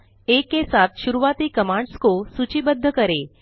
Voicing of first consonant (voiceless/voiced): voiceless